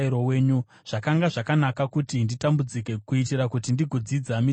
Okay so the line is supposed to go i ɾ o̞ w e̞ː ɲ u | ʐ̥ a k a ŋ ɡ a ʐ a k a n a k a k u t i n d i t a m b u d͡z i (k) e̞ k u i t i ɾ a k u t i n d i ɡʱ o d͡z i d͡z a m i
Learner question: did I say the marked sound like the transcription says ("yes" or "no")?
yes